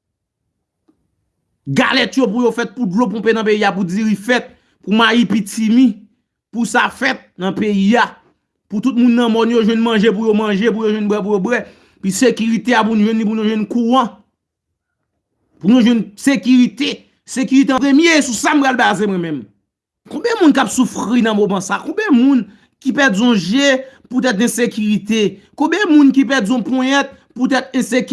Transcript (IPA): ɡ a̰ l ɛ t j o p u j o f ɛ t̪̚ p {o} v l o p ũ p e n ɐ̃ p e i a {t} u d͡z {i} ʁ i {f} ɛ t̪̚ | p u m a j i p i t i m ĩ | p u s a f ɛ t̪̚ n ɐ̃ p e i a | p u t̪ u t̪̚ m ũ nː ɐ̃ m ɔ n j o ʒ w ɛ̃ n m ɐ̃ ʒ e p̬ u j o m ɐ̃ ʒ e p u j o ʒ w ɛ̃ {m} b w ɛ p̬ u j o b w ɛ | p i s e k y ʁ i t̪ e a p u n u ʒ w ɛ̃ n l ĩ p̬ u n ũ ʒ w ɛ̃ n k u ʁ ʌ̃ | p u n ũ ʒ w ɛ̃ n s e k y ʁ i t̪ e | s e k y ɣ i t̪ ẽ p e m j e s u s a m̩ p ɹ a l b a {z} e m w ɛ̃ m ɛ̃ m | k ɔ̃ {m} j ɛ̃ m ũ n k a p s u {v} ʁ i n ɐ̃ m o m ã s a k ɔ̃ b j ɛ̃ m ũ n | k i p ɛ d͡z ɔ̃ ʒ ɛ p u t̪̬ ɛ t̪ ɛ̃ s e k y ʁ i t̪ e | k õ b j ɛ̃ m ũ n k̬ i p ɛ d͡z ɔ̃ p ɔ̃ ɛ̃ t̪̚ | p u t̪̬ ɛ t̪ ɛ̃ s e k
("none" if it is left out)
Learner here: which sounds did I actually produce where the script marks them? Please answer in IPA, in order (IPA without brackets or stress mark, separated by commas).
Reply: u, p, i, f, n, z, b, f